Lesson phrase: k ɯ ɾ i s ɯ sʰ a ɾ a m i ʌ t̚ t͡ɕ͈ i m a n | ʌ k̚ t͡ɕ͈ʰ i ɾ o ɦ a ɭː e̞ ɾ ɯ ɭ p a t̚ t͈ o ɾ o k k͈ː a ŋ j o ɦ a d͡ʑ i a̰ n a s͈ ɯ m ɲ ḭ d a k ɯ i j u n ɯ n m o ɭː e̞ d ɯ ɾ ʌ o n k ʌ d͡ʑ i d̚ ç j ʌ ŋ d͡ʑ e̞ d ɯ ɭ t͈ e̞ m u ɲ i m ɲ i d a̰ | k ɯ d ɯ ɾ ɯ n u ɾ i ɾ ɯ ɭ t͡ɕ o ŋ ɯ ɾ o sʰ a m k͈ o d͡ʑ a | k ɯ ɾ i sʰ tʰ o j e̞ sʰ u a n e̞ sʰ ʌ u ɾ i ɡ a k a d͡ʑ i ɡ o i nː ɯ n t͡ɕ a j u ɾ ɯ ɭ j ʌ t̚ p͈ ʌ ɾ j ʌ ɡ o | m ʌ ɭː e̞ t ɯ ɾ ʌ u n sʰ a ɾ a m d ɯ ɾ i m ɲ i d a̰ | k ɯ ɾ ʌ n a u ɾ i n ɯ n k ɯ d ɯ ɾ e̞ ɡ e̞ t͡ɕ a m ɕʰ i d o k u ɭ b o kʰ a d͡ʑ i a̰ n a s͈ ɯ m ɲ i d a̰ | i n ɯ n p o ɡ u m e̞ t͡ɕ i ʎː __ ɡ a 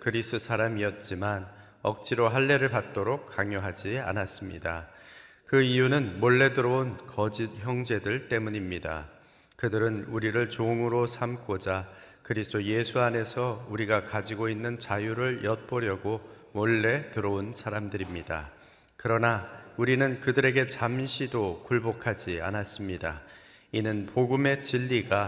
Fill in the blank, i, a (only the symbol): i